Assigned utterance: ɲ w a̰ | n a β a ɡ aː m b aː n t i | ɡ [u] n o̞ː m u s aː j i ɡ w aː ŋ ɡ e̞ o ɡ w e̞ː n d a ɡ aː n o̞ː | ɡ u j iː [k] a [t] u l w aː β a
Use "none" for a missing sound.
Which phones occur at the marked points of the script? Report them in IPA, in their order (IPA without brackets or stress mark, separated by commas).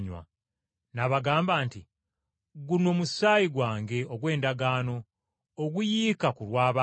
u, k, k